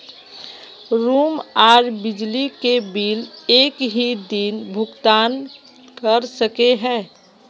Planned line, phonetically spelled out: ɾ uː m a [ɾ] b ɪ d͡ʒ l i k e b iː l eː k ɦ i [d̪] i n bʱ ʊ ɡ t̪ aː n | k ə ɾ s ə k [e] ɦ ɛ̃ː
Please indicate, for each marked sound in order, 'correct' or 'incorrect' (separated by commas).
correct, correct, correct